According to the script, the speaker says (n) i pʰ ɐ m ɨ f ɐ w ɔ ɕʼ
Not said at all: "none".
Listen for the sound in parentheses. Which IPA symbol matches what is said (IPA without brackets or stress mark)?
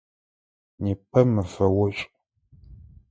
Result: n